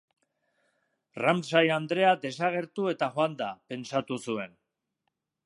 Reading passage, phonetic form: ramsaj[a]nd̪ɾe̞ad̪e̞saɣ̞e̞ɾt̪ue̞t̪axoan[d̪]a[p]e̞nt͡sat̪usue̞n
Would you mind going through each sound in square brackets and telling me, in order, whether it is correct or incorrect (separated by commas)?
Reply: correct, correct, correct